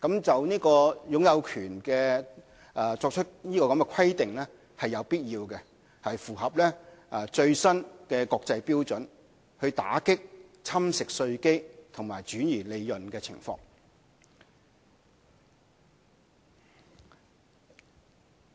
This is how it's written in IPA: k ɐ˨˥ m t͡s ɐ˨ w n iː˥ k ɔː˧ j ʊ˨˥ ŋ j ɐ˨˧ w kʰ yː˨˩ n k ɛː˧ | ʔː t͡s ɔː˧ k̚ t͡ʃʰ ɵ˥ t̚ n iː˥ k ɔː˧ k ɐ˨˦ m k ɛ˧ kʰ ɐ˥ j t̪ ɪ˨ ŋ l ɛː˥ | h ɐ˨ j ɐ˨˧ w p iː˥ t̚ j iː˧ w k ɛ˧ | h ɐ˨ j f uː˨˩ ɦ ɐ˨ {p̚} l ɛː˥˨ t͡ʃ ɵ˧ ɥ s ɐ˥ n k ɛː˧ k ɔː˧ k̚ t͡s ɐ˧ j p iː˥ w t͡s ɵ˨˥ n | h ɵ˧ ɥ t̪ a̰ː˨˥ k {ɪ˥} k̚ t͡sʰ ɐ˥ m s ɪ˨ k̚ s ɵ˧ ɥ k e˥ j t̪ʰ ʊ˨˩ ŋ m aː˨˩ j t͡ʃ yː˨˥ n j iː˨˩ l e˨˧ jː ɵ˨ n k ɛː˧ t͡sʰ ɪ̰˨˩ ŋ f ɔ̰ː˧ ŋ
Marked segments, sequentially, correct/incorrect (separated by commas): correct, correct